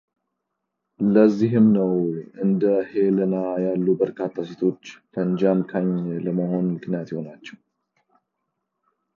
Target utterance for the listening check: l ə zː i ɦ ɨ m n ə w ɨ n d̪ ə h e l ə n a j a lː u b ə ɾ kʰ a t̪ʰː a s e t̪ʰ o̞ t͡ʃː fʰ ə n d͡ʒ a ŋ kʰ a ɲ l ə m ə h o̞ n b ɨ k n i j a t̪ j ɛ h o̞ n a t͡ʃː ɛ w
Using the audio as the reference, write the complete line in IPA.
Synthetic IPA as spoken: l ə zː i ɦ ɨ m n ə w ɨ n d̪ ə h e l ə n a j a lː u b ə ɾ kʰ a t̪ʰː a s e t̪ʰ o̞ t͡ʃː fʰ ə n d͡ʒ a m kʰ a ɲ l ə m ə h o̞ n m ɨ k n i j a t̪ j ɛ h o̞ n a t͡ʃː ɛ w

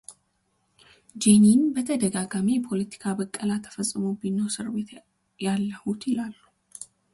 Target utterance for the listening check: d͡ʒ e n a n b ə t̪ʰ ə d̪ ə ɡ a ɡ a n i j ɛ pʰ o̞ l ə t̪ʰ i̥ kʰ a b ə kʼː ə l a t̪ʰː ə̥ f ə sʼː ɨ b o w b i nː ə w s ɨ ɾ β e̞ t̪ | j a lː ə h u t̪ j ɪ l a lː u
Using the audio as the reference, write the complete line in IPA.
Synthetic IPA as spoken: d͡ʒ e n i n b ə t̪ʰ ə d̪ ə ɡ a ɡ a m i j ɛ pʰ o̞ l ə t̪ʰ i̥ kʰ a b ə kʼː ə l a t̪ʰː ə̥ f ə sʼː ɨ m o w b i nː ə w s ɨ ɾ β e̞ t̪ | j a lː ə h u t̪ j ɪ l a lː u

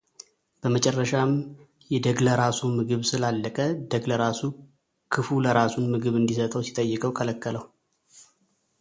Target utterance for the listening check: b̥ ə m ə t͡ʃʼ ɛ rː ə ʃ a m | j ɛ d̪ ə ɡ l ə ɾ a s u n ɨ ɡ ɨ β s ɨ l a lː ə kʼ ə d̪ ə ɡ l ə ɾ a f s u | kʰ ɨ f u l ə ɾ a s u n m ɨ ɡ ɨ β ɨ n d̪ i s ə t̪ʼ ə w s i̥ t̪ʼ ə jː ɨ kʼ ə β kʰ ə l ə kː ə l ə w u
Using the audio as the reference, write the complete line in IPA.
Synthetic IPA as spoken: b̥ ə m ə t͡ʃʼ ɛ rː ə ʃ a m | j ɛ d̪ ə ɡ l ə ɾ a s u m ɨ ɡ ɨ β s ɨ l a lː ə kʼ ə d̪ ə ɡ l ə ɾ a s u | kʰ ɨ f u l ə ɾ a s u n m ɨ ɡ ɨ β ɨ n d̪ i s ə t̪ʼ ə w s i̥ t̪ʼ ə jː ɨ kʼ ə w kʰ ə l ə kː ə l ə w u

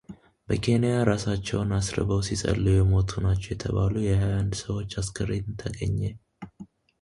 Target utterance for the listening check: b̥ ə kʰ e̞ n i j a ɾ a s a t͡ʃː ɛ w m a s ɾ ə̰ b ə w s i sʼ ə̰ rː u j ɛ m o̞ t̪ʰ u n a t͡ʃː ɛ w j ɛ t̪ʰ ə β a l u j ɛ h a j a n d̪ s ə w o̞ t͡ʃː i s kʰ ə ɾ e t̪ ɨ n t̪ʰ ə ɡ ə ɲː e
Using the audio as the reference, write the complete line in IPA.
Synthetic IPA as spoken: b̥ ə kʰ e̞ n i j a ɾ a s a t͡ʃː ɛ w n a s ɾ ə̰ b ə w s i sʼ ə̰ lː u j ɛ m o̞ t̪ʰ u n a t͡ʃː ɛ w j ɛ t̪ʰ ə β a l u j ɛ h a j a n d̪ s ə w o̞ t͡ʃː a s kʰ ə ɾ e t̪ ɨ n t̪ʰ ə ɡ ə ɲː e

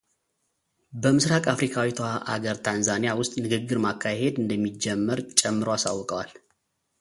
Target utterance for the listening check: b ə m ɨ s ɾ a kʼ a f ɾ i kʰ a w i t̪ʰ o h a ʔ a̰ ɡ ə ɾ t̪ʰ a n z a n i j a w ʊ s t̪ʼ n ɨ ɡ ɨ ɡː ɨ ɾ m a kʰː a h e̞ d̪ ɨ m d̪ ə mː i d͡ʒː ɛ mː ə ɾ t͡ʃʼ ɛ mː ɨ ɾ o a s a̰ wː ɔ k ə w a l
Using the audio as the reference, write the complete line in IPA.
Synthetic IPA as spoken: b ə m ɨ s ɾ a kʼ a f ɾ i kʰ a w i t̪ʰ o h a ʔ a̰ ɡ ə ɾ t̪ʰ a n z a n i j a w ʊ s t̪ʼ n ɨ ɡ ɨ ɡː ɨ ɾ m a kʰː a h e̞ d̪ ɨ n d̪ ə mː i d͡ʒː ɛ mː ə ɾ t͡ʃʼ ɛ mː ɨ ɾ o a s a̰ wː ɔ kʼ ə w a l

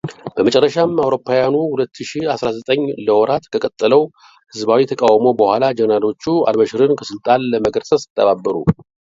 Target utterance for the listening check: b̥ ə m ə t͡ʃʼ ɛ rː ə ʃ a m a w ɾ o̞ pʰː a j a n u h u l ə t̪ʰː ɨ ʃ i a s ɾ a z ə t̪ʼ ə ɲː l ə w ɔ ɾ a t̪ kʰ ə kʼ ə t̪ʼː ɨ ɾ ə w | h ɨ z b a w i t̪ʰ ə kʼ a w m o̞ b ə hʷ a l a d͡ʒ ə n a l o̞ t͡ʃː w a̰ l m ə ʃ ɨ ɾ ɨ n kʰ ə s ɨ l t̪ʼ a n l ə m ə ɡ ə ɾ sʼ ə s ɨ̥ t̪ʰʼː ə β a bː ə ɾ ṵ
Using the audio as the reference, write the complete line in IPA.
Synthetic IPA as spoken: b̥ ə m ə t͡ʃʼ ɛ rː ə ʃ a m a w ɾ o̞ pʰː a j a n u h u l ə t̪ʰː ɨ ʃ i a s ɾ a z ə t̪ʼ ə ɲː l ə w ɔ ɾ a t̪ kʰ ə kʼ ə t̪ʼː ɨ l ə w | h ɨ z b a w i t̪ʰ ə kʼ a w m o̞ b ə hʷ a l a d͡ʒ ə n a l o̞ t͡ʃː u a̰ l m ə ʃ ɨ ɾ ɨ n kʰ ə s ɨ l t̪ʼ a n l ə m ə ɡ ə ɾ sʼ ə s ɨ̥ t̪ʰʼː ə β a bː ə ɾ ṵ

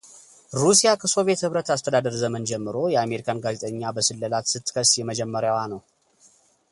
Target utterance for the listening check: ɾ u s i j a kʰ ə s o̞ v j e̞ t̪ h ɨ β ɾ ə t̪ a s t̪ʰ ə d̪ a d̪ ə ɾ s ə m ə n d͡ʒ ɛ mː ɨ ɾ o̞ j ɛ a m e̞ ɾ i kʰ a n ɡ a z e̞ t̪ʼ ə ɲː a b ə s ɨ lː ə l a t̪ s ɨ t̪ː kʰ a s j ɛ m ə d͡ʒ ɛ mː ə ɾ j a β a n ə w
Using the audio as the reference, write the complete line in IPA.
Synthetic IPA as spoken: ɾ u s i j a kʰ ə s o̞ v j e̞ t̪ h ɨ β ɾ ə t̪ a s t̪ʰ ə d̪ a d̪ ə ɾ z ə m ə n d͡ʒ ɛ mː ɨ ɾ o̞ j ɛ a m e̞ ɾ i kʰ a n ɡ a z e̞ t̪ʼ ə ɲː a b ə s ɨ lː ə l a t̪ s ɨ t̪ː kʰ ə s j ɛ m ə d͡ʒ ɛ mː ə ɾ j a w a n ə w

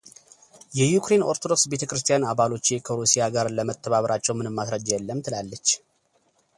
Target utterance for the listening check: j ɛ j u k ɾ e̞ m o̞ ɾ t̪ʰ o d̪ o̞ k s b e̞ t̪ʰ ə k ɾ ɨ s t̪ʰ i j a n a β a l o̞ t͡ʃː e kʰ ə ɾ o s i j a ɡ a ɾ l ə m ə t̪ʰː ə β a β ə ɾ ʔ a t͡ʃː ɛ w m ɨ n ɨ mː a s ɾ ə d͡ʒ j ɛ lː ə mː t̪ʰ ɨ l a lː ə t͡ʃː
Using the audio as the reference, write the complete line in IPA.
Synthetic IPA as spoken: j ɛ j u k ɾ e̞ n o̞ ɾ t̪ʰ o d̪ o̞ k s b e̞ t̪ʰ ə k ɾ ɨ s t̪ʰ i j a n a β a l o̞ t͡ʃː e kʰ ə ɾ u s i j a ɡ a ɾ l ə m ə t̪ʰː ə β a β ə ɾ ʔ a t͡ʃː ɛ w m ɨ n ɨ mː a s ɾ ə d͡ʒ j ɛ lː ə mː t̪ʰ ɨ l a lː ə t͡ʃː

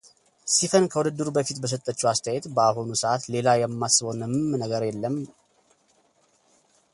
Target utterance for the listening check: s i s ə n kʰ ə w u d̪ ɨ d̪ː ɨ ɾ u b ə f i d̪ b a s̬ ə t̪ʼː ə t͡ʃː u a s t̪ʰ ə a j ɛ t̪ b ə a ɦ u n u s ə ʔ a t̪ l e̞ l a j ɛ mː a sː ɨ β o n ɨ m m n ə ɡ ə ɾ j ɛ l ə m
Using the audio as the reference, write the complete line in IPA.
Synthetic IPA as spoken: s i f ə n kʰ ə w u d̪ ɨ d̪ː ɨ ɾ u b ə f i t̪ b ə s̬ ə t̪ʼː ə t͡ʃː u a s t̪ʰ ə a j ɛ t̪ b ə a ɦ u n u s ə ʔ a t̪ l e̞ l a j ɛ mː a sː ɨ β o n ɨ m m n ə ɡ ə ɾ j ɛ lː ə m

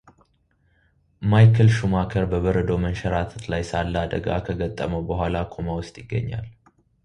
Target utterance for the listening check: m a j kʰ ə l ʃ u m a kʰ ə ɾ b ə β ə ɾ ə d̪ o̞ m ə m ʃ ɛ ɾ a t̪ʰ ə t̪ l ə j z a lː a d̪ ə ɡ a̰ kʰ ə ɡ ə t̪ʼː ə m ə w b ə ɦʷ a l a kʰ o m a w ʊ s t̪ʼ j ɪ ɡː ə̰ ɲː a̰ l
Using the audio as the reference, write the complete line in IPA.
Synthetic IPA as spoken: m a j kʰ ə l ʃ u m a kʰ ə ɾ b ə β ə ɾ ə d̪ o̞ m ə n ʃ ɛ ɾ a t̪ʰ ə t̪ l a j s a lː a d̪ ə ɡ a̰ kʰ ə ɡ ə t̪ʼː ə m ə w b ə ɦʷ a l a kʰ o m a w ʊ s t̪ʼ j ɪ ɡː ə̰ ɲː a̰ l

